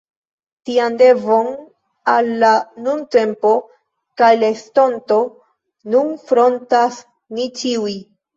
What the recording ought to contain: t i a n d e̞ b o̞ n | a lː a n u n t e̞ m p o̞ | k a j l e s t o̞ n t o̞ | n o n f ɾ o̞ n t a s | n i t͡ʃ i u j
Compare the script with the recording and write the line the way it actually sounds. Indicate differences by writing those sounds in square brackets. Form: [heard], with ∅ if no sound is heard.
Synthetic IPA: t i a n d e̞ [v] o̞ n | a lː a n u n t e̞ m p o̞ | k a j l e s t o̞ n t o̞ | n [u] n f ɾ o̞ n t a s | n i t͡ʃ i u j